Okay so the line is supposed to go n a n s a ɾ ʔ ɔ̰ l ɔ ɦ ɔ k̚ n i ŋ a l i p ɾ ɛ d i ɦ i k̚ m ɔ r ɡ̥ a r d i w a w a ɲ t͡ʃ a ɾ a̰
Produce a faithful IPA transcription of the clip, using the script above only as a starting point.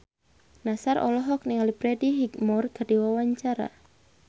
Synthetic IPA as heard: n a s a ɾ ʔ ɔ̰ l ɔ ɦ ɔ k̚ n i ŋ a l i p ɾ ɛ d i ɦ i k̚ m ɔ r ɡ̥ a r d i w a w a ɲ t͡ʃ a ɾ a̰